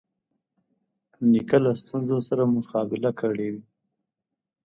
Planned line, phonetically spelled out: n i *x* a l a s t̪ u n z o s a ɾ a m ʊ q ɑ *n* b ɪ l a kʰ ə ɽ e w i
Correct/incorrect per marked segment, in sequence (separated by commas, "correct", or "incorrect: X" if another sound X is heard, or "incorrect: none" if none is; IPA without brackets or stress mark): incorrect: k, incorrect: none